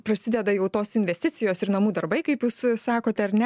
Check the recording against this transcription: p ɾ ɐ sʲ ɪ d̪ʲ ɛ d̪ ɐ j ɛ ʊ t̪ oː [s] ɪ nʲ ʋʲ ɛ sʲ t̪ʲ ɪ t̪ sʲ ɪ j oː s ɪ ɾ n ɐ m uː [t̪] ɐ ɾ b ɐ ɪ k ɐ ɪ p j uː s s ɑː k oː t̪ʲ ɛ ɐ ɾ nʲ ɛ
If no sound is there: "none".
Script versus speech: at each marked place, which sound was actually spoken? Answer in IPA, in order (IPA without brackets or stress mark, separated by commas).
s, d̪